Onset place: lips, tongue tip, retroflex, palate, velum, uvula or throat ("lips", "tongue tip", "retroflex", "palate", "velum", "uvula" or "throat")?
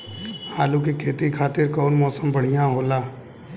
throat